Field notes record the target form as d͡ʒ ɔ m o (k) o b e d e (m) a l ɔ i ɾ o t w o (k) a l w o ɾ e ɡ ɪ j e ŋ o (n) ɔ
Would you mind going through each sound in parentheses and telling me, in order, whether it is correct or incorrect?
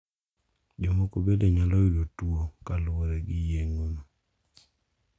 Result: correct, incorrect: ɲ, correct, correct

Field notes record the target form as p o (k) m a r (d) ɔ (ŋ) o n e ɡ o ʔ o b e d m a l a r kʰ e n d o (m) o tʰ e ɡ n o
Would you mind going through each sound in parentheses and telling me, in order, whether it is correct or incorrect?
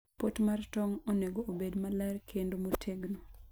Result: incorrect: t, incorrect: t, correct, correct

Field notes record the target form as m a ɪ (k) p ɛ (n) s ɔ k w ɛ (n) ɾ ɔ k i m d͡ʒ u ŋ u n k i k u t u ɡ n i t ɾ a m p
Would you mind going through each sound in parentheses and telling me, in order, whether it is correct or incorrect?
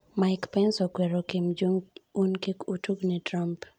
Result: correct, correct, incorrect: none

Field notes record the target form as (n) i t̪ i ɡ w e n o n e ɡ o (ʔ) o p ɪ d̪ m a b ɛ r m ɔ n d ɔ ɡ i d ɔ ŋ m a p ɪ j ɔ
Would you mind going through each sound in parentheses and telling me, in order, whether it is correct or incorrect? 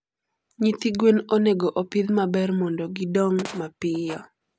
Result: incorrect: ɲ, correct

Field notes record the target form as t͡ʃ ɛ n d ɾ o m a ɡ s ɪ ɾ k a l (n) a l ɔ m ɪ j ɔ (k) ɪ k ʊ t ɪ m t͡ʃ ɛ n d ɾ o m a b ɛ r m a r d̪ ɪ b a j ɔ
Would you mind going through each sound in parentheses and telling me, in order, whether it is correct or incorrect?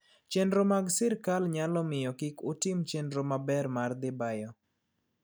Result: incorrect: ɲ, correct

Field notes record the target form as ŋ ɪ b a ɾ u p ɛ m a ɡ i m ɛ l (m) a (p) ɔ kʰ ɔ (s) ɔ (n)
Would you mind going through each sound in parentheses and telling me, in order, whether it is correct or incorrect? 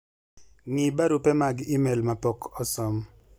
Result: correct, correct, correct, incorrect: m

